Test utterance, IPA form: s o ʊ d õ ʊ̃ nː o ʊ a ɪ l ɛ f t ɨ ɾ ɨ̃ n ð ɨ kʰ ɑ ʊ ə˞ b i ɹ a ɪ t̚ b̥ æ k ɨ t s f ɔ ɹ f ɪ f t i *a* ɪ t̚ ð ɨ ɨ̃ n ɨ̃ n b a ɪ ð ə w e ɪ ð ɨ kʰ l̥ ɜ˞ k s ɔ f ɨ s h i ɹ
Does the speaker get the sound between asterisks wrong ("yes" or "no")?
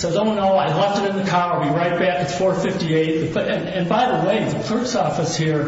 yes